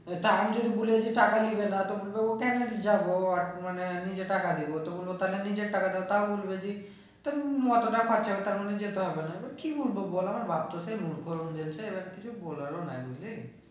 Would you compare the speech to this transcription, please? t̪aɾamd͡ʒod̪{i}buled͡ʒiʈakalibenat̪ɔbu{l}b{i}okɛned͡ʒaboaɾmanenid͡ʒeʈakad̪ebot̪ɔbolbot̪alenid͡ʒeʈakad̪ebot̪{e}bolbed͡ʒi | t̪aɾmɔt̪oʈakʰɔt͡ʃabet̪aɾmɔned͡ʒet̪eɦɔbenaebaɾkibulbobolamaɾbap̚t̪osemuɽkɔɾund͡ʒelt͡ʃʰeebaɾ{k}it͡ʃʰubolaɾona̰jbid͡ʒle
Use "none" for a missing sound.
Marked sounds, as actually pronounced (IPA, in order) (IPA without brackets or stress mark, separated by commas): i, l, e, a, k